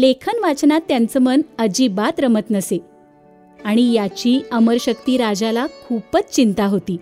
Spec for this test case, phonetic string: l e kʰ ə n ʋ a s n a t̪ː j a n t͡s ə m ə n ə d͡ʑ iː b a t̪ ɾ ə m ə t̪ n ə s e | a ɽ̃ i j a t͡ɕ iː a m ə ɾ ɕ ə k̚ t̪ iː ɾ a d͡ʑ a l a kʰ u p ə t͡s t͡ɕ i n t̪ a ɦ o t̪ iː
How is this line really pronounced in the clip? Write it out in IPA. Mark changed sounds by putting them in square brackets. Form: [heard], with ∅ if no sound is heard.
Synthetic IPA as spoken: l e kʰ ə n ʋ a [t͡s] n a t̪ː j a n t͡s ə m ə n ə d͡ʑ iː b a t̪ ɾ ə m ə t̪ n ə s e | a ɽ̃ i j a t͡ɕ iː [ə] m ə ɾ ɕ ə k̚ t̪ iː ɾ a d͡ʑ a l a kʰ u p ə t͡s t͡ɕ i n t̪ a ɦ o t̪ iː